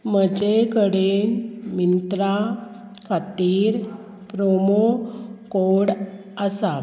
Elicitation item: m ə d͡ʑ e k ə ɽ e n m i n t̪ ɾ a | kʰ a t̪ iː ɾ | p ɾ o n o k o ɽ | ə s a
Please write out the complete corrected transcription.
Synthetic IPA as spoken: m ə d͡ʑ e k ə ɽ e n m i n t̪ ɾ a | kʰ a t̪ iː ɾ | p ɾ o m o k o ɽ | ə s a